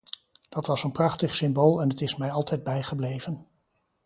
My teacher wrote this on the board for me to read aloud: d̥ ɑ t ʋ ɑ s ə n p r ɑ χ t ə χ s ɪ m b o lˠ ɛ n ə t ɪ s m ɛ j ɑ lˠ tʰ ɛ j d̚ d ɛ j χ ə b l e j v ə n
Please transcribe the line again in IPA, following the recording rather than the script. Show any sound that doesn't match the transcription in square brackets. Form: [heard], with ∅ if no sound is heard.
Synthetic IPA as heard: d̥ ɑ t ʋ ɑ s ə n p r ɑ χ t ə χ s ɪ m b o lˠ ɛ n ə t ɪ s m ɛ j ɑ lˠ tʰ ɛ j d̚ [b] ɛ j χ ə b l e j v ə n